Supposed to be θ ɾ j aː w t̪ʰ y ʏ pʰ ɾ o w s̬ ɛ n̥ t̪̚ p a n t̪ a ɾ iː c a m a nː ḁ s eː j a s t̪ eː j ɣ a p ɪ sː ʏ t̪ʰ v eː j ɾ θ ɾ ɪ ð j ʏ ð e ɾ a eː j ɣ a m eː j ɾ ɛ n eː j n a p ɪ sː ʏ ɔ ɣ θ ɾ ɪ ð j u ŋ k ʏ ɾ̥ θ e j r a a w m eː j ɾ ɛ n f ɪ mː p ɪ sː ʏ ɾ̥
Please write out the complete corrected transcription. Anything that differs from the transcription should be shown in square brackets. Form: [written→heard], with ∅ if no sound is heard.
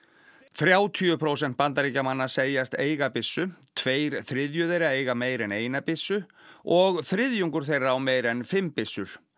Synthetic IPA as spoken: θ ɾ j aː w t̪ʰ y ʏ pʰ ɾ o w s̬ ɛ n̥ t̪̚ p a n t̪ a ɾ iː c a m a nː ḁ s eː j a s t̪ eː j ɣ a p ɪ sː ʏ t̪ʰ v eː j ɾ θ ɾ ɪ ð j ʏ ð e ɾ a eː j ɣ a m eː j ɾ ɛ n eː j n a p ɪ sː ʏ ɔ ɣ θ ɾ ɪ ð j u ŋ k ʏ ɾ̥ θ e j r a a w m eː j ɾ ɛ n f ɪ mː p ɪ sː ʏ ɾ̥

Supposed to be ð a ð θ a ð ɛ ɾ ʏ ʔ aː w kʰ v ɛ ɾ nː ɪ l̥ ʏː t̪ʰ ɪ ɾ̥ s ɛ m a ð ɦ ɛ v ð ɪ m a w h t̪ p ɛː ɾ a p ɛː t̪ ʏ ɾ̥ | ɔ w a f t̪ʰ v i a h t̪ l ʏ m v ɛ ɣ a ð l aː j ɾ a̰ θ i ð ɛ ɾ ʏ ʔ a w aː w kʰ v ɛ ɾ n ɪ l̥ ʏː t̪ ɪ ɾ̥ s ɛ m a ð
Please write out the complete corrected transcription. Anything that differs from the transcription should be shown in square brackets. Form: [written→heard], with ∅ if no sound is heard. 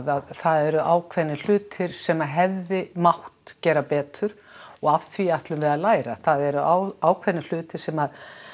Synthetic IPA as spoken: ð a ð θ a ð ɛ ɾ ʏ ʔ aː w kʰ v ɛ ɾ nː ɪ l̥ ʏː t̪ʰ ɪ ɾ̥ s ɛ m a ð ɦ ɛ v ð ɪ m a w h t̪ [p→c] ɛː ɾ a p ɛː t̪ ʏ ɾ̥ | ɔ [w→ɣ] a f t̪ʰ v i a h t̪ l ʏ m v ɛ [ɣ→ð] a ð l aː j ɾ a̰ θ [i→a] ð ɛ ɾ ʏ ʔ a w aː w kʰ v ɛ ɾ n ɪ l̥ ʏː t̪ ɪ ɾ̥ s ɛ m a ð

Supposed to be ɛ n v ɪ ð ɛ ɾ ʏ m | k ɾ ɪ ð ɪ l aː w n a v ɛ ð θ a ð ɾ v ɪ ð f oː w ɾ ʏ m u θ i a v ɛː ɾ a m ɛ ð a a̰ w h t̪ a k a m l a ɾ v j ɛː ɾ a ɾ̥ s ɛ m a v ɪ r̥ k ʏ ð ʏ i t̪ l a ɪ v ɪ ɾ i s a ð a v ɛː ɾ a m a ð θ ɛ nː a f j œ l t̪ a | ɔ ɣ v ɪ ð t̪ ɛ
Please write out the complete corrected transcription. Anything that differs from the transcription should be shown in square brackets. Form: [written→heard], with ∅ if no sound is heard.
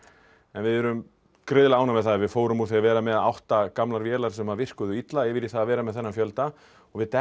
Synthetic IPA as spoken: ɛ n v ɪ ð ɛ ɾ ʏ m | k ɾ ɪ ð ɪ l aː w n a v ɛ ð θ a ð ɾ v ɪ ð f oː w ɾ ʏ m u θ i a v ɛː ɾ a m ɛ ð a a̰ w h t̪ a k a m l a ɾ v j ɛː [ɾ→l] a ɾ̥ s ɛ m a v ɪ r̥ k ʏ ð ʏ i t̪ l a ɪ v ɪ ɾ i [s→θ] a ð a v ɛː ɾ a m [a→ɛ] ð θ ɛ nː a f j œ l t̪ a | ɔ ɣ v ɪ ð t̪ ɛ

